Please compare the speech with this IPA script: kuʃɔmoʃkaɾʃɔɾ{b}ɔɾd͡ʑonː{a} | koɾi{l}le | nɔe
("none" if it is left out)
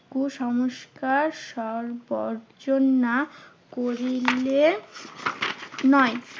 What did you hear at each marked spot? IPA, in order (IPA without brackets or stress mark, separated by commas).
b, a, l